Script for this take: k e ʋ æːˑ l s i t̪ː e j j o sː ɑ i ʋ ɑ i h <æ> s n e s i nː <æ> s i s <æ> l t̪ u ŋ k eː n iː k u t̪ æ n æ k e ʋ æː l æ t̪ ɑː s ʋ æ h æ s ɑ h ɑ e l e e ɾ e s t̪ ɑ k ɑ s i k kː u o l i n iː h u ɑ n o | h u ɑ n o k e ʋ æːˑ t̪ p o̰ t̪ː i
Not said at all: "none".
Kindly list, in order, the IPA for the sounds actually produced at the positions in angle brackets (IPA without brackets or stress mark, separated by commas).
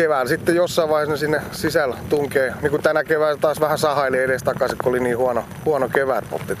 e, e, æ